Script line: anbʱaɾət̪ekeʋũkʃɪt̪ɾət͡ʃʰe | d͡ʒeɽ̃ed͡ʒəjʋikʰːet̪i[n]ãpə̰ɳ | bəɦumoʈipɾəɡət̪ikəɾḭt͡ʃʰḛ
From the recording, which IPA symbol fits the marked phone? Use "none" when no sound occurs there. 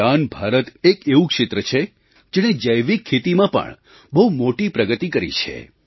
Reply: m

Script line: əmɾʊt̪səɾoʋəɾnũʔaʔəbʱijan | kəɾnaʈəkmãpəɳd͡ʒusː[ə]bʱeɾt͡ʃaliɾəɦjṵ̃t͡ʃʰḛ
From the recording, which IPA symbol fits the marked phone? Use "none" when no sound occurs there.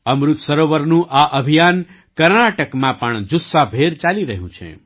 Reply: a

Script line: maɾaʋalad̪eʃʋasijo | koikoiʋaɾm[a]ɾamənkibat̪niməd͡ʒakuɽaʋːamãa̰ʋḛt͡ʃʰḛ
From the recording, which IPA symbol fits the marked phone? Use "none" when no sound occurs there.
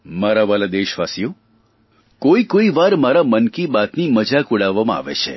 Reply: a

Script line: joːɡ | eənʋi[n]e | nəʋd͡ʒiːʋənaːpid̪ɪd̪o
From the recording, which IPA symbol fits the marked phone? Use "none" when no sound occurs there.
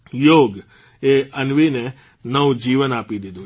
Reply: n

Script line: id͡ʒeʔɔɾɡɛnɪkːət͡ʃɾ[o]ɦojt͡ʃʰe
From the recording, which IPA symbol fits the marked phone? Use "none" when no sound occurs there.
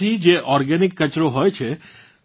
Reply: o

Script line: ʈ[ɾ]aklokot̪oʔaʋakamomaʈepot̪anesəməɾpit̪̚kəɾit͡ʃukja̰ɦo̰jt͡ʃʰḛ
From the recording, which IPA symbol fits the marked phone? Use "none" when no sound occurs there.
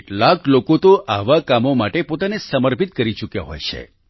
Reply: l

